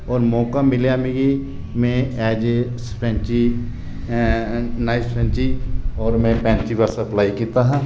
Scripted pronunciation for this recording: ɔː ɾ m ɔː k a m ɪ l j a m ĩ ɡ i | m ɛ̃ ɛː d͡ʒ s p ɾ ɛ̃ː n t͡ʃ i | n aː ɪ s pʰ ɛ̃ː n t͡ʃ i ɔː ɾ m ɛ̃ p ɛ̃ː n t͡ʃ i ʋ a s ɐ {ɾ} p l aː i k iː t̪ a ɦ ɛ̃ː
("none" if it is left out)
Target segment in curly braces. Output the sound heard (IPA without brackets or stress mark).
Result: none